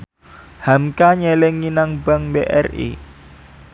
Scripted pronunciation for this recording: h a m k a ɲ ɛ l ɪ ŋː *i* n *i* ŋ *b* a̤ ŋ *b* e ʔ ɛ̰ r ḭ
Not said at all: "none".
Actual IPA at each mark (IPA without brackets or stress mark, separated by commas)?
i, a, b, b